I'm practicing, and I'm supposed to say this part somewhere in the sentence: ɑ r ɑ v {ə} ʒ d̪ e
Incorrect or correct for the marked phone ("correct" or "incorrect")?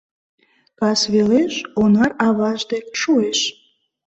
incorrect